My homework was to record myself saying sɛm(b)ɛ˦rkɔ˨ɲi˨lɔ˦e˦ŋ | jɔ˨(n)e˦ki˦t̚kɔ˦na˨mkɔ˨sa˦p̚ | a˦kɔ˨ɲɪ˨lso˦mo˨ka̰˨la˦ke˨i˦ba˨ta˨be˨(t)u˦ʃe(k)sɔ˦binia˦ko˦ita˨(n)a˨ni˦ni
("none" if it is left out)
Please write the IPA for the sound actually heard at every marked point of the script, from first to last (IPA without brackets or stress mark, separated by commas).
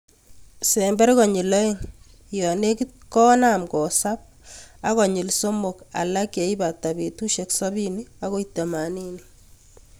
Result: b, n, t, k, m